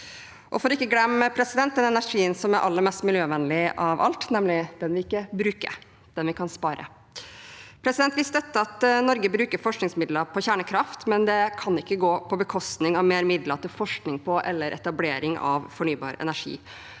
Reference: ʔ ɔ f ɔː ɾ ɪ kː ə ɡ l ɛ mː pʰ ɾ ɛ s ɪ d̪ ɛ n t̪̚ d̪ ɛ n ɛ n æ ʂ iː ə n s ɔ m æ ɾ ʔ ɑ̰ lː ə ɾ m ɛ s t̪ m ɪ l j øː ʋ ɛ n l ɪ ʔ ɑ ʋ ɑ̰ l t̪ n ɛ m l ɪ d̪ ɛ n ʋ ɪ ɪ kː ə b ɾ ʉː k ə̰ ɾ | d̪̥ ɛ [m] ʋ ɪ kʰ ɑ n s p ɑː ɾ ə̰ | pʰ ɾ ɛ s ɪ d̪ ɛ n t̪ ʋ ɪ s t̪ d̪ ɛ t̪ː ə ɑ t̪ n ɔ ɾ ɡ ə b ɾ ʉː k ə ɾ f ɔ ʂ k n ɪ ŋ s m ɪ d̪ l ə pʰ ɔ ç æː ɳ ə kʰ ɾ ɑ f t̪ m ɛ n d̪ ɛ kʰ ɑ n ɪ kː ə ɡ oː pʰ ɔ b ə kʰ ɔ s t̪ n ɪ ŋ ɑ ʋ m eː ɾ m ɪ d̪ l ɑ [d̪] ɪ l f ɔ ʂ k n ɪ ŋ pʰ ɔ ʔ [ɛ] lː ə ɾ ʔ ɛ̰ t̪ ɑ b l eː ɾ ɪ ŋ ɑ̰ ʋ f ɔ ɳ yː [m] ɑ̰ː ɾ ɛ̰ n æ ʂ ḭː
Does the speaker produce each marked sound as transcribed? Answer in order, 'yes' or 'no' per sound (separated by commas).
no, no, yes, no